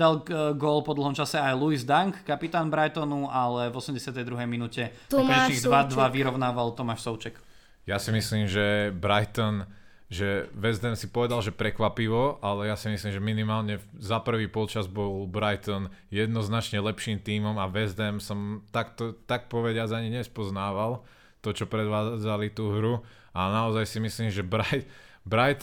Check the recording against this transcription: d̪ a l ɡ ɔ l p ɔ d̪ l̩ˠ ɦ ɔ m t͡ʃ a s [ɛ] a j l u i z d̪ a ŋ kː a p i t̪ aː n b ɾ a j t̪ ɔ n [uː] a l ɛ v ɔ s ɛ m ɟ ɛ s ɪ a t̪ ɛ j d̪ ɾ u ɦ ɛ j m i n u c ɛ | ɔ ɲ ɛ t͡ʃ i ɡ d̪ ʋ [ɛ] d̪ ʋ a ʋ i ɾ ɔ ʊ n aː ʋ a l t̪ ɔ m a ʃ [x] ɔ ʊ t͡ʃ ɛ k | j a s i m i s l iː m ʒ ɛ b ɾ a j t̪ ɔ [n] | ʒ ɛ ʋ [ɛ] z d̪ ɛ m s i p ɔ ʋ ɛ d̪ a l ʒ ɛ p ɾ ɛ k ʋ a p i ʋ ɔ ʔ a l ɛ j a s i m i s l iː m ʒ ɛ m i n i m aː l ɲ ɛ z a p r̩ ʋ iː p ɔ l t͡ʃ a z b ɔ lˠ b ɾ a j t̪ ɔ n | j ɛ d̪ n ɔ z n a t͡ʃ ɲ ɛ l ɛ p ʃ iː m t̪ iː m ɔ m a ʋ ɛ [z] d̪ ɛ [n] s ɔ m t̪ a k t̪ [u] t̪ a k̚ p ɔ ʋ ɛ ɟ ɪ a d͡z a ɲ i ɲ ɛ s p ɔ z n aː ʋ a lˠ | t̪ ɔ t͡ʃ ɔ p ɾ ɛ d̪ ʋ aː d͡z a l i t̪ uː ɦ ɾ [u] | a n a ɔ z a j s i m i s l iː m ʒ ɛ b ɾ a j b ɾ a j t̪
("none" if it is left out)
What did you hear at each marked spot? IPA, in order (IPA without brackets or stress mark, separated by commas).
ɛ, u, a, s, n, ɛ, z, m, ɔ, u